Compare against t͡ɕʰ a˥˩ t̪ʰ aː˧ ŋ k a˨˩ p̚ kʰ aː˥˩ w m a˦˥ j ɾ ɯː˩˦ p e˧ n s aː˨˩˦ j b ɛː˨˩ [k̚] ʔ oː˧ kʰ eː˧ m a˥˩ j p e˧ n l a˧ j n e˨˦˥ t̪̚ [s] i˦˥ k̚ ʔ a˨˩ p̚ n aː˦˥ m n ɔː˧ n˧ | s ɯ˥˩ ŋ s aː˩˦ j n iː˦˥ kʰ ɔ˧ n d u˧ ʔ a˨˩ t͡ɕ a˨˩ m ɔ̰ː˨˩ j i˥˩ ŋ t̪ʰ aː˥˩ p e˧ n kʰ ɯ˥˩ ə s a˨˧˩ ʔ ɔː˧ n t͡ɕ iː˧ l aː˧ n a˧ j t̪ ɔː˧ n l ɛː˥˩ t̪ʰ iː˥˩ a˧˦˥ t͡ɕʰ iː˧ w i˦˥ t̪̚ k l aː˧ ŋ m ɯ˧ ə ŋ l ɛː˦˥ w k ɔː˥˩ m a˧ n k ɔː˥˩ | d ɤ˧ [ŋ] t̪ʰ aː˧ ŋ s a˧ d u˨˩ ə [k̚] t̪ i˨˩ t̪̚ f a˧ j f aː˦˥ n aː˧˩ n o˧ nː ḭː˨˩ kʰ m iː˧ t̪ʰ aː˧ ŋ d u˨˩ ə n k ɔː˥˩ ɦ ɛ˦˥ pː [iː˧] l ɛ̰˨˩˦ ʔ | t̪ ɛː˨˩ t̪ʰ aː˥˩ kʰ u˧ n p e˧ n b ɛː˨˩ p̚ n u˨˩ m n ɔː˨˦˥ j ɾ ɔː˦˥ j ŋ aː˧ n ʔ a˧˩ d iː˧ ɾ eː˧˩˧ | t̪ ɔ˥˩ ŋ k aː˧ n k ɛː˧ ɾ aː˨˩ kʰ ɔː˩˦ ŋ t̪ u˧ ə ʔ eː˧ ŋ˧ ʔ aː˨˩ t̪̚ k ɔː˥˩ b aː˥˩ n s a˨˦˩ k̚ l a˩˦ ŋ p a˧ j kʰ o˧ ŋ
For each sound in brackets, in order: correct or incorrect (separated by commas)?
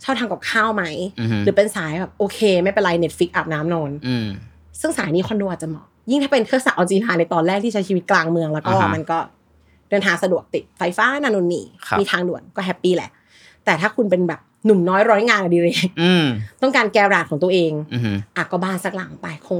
incorrect, incorrect, incorrect, correct, incorrect